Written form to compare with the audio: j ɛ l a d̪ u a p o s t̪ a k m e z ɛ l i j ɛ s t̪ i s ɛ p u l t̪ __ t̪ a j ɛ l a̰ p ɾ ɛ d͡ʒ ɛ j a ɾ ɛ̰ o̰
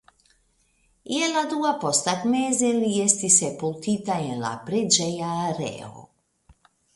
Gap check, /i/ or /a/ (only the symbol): i